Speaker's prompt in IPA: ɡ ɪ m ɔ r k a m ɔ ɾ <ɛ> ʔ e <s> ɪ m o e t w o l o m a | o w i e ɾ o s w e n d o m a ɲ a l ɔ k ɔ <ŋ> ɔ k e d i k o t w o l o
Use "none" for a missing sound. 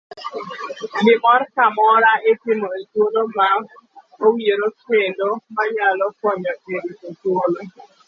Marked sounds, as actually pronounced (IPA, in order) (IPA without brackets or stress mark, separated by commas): a, t, ɲ